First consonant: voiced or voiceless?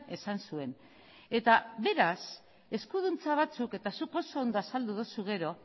voiceless